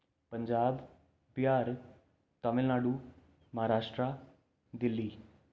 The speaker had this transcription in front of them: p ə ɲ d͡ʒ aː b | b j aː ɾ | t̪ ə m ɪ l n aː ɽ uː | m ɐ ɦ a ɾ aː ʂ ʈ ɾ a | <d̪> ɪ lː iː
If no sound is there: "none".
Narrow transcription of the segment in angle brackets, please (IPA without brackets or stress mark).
d̪